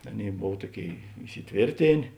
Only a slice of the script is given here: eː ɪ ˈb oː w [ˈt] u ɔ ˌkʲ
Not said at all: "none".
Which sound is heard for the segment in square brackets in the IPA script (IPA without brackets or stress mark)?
t